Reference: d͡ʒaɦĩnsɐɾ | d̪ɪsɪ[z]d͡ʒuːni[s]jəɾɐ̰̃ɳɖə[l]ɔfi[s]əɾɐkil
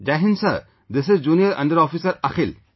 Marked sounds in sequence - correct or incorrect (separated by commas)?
correct, incorrect, incorrect, correct